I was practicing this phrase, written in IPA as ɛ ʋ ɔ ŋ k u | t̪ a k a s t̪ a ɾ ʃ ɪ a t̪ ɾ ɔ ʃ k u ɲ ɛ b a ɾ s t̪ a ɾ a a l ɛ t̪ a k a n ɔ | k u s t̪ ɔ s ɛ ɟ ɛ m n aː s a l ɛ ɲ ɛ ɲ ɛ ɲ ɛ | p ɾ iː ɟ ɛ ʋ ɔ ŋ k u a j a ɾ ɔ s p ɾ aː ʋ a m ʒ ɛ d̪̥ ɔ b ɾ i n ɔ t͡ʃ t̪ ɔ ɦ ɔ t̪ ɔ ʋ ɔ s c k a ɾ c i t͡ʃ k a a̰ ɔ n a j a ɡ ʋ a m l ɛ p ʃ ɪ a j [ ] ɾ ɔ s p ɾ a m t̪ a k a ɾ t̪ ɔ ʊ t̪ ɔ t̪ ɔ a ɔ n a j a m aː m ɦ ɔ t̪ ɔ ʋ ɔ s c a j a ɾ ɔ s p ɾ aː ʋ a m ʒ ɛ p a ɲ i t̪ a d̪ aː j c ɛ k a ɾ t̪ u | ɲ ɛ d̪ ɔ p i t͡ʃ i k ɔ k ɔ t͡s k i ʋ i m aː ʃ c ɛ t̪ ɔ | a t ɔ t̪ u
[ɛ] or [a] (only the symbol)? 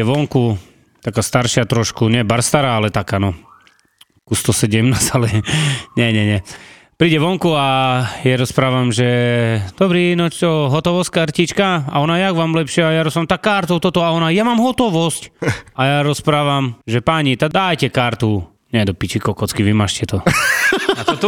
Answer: a